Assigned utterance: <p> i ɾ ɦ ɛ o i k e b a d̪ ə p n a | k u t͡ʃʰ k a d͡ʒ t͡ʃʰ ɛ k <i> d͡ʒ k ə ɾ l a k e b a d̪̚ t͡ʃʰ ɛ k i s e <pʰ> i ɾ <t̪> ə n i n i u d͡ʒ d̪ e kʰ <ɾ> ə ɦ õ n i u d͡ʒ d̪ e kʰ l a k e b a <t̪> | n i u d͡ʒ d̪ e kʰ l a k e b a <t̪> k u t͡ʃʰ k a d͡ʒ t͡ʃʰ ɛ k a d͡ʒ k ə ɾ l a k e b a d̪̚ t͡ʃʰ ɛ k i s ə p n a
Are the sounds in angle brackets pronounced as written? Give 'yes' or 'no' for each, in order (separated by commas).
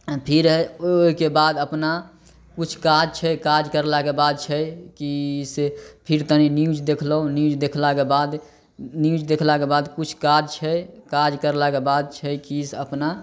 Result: no, no, yes, yes, no, no, no